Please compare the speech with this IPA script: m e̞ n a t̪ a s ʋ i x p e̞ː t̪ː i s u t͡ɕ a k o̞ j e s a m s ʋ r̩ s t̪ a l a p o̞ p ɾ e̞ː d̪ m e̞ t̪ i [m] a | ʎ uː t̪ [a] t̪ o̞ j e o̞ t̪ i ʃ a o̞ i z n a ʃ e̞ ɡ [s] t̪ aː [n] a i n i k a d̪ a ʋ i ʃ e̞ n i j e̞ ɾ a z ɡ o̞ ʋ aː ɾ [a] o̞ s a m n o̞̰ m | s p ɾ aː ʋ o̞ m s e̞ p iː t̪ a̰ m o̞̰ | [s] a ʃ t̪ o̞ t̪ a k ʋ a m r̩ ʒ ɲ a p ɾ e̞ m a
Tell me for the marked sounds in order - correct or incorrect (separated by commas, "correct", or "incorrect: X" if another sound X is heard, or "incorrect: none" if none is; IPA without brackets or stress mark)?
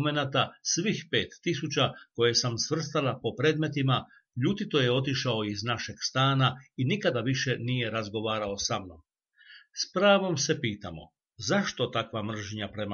correct, incorrect: i, correct, correct, correct, incorrect: z